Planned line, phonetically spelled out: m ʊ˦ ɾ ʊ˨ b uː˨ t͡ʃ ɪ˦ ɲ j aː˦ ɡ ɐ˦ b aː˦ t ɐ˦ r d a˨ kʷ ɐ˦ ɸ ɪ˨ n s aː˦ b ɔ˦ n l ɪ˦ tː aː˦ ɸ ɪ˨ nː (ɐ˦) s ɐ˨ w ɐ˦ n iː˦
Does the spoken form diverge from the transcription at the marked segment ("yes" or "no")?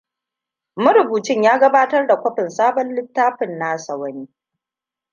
yes